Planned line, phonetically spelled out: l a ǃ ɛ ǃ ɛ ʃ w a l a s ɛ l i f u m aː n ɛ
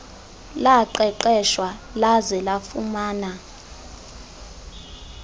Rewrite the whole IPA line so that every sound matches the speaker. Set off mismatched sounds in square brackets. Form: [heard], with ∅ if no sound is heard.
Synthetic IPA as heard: l a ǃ ɛ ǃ ɛ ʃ w a l a [z] ɛ l [a] f u m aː n [a]

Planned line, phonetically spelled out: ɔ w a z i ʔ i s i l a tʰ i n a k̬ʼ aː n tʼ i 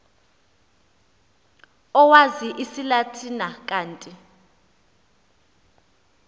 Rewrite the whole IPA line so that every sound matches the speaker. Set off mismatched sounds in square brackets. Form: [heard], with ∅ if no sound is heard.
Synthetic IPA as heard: ɔ w a z i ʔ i s i l a tʰ i n a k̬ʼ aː n tʼ i

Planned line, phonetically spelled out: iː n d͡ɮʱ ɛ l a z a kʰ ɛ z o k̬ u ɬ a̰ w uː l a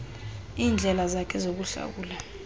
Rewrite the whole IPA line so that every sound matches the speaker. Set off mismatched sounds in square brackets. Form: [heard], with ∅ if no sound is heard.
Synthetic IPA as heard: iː n d͡ɮʱ ɛ l a z a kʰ ɛ z o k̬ u ɬ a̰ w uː l a

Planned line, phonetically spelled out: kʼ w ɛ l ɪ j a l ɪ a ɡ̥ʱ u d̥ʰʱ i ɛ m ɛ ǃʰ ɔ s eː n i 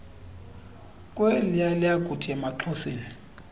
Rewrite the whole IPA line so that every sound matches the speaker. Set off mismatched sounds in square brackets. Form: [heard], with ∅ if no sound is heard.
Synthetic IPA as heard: kʼ w ɛ l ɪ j a l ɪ a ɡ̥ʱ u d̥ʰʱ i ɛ m [a] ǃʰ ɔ s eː n i

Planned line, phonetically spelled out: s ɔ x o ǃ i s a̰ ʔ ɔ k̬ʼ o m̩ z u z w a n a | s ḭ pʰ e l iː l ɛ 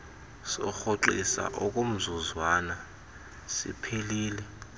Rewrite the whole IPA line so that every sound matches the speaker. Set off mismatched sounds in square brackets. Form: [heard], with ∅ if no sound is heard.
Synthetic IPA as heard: s ɔ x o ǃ i s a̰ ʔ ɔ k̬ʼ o m̩ z u z w a n a | s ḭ pʰ e l iː l ɛ

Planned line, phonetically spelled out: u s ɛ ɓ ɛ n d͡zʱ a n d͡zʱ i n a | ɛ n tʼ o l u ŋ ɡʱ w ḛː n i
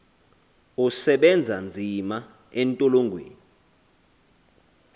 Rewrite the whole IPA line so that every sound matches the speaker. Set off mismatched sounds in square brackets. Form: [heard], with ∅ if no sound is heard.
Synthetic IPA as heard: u s ɛ ɓ ɛ n d͡zʱ a n d͡zʱ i [m] a | ɛ n tʼ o l [o] ŋ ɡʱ w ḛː n i

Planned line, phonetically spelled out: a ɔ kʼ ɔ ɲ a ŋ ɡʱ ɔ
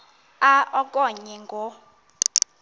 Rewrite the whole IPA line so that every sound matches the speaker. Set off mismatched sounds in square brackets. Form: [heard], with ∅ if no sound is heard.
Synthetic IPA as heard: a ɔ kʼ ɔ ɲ [ɛ] ŋ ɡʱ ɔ

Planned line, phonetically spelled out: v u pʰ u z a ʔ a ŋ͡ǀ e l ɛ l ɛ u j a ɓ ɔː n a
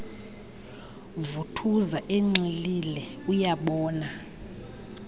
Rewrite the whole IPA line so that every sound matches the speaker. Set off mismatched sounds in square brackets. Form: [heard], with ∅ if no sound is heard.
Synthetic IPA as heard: v u [tʰ] u z a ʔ [e] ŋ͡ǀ [i] l [i] l ɛ u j a ɓ ɔː n a

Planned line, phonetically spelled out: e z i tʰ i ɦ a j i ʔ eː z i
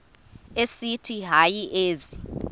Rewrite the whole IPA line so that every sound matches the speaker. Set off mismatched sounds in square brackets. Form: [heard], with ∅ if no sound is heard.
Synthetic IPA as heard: e [s] i tʰ i ɦ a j i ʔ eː z i

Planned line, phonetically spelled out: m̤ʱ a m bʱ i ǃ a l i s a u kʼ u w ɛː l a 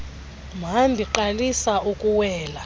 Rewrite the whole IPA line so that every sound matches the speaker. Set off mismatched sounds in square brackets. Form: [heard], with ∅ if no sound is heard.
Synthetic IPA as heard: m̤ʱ a m bʱ i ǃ a l i s a u kʼ u w ɛː l a

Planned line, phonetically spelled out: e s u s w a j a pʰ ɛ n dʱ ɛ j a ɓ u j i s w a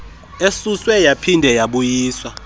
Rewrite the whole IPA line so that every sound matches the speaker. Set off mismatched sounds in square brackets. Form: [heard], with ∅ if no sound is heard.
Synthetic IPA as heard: e s u s w [ɛ] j a pʰ [i] n dʱ ɛ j a ɓ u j [iː] s w a

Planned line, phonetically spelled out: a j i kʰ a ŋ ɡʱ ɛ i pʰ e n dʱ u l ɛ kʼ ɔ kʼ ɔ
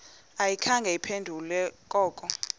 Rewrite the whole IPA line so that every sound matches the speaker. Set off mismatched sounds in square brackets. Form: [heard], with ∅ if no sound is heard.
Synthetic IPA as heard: a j i kʰ a ŋ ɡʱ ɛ i pʰ e n dʱ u l ɛ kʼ [ɔː] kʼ ɔ

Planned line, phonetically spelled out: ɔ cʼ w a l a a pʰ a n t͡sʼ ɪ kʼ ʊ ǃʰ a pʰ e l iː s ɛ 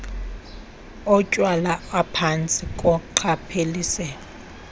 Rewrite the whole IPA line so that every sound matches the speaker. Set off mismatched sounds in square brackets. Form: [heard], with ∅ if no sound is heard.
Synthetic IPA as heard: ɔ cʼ w a l a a pʰ a n t͡sʼ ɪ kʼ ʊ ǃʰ a pʰ e l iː s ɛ

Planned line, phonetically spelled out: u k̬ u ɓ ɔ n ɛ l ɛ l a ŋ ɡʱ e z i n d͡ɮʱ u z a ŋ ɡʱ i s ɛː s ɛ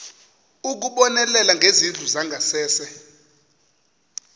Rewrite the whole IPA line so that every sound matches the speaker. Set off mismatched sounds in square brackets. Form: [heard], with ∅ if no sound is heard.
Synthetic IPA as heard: u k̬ u ɓ ɔ n ɛ l ɛ l a ŋ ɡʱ e z i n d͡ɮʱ u z a ŋ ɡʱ [a] s ɛː s ɛ

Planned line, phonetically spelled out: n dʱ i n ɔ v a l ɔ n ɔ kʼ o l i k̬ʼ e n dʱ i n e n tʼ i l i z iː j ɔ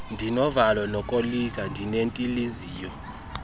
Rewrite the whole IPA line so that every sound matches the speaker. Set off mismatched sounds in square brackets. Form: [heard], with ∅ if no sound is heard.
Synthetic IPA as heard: n dʱ i n ɔ v a l ɔ n ɔ kʼ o l i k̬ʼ [a] n dʱ i n e n tʼ i l i z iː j ɔ

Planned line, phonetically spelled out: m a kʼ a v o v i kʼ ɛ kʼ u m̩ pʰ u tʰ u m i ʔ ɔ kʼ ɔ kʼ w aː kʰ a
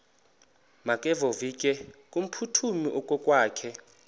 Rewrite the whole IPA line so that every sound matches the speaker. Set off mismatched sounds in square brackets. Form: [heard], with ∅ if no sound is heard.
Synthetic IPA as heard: m a kʼ [ɛ] v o v i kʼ ɛ kʼ u m̩ pʰ u tʰ u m i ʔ ɔ kʼ ɔ kʼ w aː kʰ [ɛ]

